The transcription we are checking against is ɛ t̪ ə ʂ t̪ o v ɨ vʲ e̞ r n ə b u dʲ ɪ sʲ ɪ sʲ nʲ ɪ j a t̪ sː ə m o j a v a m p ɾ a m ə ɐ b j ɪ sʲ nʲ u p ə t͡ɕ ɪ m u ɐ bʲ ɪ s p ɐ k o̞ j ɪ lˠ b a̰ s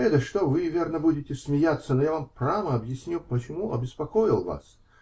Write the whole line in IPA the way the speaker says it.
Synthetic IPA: ɛ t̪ ə ʂ t̪ o v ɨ vʲ e̞ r n ə b u dʲ ɪ tʲ ɪ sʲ mʲ ɪ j a t̪ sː ə n o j a v a m p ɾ a m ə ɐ b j ɪ sʲ nʲ u p ə t͡ɕ ɪ m u ɐ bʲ ɪ s p ɐ k o̞ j ɪ lˠ v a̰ s